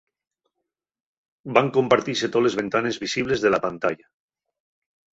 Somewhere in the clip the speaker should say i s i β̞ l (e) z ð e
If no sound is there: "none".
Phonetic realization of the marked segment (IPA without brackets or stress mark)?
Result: e